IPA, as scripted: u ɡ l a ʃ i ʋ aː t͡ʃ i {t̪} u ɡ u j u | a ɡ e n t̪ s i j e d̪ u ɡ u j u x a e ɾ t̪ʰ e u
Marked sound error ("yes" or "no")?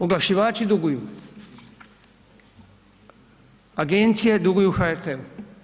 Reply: yes